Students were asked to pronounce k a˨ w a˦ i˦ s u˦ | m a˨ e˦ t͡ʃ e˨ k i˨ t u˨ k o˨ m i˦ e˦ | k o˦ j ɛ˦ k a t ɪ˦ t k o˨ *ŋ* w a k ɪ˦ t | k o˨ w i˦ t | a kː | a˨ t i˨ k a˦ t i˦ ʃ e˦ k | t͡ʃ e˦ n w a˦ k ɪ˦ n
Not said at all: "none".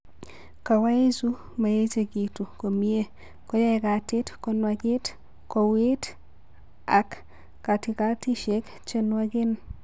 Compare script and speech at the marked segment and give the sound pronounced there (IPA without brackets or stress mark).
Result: n